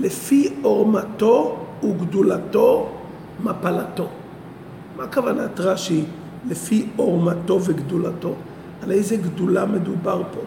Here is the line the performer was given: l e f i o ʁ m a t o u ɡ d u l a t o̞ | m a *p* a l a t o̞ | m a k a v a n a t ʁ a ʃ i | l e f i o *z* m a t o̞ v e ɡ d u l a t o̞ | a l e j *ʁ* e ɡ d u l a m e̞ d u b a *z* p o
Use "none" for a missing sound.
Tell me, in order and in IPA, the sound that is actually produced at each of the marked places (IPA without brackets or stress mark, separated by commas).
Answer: p, ʁ, z, ʁ